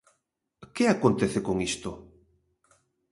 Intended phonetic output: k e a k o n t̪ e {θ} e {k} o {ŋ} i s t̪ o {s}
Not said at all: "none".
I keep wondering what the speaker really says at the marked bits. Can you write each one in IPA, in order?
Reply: θ, k, ŋ, none

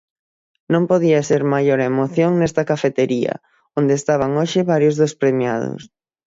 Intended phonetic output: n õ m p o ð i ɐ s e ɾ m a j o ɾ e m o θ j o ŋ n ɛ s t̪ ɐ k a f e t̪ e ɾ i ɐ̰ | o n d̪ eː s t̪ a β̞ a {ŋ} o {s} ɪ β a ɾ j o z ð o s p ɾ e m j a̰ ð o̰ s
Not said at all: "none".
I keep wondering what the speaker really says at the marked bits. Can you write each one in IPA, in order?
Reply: ŋ, ʃ

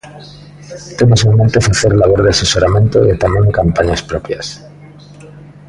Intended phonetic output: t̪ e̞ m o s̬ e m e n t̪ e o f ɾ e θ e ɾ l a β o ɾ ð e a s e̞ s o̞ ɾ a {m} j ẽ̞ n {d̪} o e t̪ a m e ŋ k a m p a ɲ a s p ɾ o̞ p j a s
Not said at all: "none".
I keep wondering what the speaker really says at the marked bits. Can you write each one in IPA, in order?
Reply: m, t̪

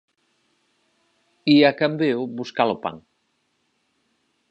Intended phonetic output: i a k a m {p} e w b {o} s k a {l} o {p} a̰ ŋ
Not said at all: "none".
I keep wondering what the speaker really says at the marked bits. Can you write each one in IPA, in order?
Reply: b, u, l, p

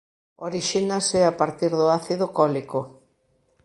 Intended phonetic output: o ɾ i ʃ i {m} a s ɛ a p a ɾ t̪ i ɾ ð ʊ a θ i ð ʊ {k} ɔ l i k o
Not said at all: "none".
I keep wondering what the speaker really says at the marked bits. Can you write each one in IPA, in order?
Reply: n, k

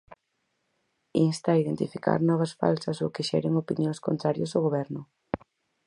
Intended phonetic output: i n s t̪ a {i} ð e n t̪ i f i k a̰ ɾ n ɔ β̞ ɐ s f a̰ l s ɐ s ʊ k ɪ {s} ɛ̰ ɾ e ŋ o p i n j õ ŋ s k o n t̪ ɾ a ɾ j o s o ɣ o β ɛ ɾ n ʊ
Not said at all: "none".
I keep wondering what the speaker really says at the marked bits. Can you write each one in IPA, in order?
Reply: i, ʃ

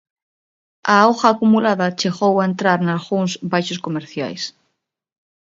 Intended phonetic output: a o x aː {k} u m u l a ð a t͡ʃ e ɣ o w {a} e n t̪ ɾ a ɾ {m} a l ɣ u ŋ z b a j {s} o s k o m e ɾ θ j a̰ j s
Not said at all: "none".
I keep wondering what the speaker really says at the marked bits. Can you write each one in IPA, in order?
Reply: k, a, n, ʃ

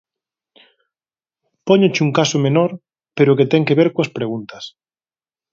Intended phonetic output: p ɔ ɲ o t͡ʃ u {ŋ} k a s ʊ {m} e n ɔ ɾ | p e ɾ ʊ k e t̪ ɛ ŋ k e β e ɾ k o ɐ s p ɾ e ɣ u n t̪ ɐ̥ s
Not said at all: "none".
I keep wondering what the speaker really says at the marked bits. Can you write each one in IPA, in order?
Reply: ŋ, m

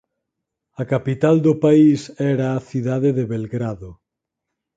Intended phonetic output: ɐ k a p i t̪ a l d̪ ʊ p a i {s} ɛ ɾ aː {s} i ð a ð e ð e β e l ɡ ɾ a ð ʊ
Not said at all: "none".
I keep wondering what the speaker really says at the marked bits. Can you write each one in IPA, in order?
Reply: s, θ

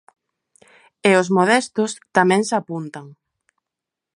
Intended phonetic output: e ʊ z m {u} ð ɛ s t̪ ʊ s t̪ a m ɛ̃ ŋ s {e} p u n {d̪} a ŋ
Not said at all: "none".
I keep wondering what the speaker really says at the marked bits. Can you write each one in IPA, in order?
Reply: o, a, t̪

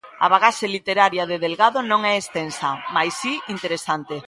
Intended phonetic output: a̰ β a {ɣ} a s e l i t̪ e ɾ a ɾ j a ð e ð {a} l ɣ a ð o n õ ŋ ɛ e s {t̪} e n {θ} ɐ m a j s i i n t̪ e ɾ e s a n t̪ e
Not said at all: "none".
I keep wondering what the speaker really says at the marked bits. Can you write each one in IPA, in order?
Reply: ɣ, e, t̪, s

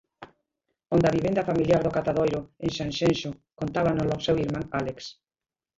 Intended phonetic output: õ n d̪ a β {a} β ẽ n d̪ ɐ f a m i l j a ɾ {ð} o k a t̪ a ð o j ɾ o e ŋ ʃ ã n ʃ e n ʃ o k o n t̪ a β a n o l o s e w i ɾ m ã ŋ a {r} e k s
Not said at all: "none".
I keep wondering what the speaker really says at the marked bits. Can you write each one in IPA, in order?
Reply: i, ð, l

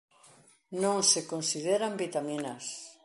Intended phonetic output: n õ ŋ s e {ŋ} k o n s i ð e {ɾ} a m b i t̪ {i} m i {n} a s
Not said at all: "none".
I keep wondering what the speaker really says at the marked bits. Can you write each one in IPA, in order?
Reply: none, ɾ, a, n

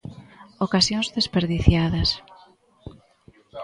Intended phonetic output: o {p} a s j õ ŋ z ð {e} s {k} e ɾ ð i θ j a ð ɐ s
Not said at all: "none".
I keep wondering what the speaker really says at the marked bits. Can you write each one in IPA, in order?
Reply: k, e, p

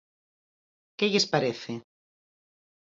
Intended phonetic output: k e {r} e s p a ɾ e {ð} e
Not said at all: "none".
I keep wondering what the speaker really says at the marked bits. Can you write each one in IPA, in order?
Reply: ʎ, θ

